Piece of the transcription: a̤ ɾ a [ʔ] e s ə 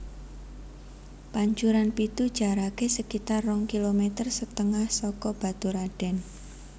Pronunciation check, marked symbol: incorrect: k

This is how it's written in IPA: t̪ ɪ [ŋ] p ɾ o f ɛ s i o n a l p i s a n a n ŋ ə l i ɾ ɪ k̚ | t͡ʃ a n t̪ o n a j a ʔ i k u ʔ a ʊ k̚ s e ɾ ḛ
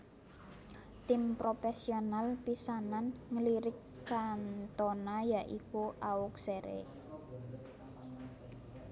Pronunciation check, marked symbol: incorrect: m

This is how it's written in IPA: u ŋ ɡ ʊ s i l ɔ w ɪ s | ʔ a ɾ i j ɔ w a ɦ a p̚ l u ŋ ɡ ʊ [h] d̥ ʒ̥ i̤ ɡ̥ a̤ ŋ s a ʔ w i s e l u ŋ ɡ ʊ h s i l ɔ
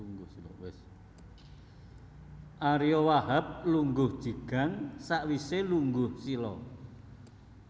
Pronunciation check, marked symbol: correct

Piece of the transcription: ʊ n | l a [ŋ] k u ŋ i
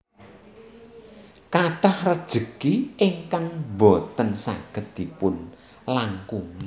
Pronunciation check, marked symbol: correct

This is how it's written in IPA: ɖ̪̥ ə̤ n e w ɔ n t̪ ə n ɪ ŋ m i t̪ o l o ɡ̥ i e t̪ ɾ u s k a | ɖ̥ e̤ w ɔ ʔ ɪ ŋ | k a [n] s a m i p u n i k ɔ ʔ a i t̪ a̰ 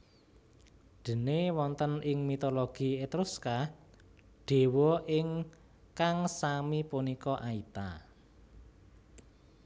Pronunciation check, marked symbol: incorrect: ŋ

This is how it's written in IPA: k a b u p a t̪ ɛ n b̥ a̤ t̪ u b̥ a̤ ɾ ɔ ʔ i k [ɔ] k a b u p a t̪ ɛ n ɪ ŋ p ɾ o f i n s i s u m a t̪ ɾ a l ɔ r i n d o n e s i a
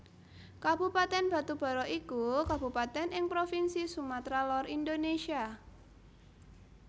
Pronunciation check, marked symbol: incorrect: u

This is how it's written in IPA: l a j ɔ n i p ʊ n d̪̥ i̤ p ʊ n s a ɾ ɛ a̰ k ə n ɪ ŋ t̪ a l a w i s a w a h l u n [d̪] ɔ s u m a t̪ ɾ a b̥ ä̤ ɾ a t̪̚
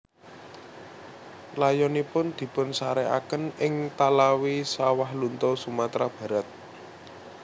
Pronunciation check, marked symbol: incorrect: t̪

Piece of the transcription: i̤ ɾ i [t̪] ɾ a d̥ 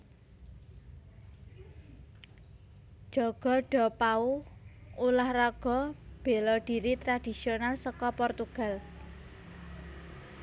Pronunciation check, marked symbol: correct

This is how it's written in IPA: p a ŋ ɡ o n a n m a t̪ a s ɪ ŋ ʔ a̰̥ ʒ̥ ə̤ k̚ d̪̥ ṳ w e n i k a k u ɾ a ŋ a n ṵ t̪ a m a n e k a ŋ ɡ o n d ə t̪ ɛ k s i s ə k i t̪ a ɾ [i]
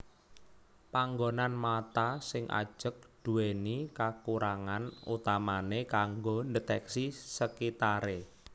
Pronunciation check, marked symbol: incorrect: e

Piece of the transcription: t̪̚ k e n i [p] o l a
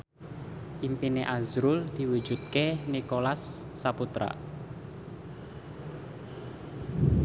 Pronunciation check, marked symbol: incorrect: k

